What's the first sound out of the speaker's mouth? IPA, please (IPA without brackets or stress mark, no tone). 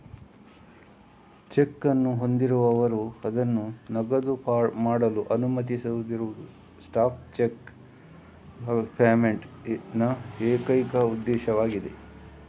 t͡ʃ